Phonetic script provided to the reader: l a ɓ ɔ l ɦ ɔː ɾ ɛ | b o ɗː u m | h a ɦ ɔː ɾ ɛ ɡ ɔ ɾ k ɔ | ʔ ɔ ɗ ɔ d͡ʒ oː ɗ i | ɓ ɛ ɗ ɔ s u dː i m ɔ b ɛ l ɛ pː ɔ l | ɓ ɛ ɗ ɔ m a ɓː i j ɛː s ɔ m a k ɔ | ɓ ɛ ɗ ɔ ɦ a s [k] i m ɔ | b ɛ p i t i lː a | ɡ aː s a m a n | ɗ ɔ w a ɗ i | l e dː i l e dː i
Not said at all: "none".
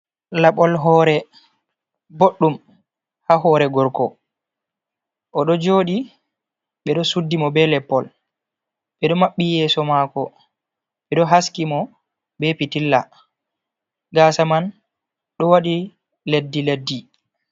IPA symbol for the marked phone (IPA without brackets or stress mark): k